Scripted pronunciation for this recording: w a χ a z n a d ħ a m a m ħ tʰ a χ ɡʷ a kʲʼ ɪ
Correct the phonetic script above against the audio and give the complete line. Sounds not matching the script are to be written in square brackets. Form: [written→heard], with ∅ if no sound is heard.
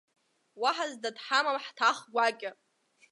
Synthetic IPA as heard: w a [χ→ħ] a z [n→d] a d ħ a m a m ħ tʰ a χ ɡʷ a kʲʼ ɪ